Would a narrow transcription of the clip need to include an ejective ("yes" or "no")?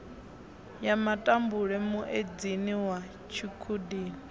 yes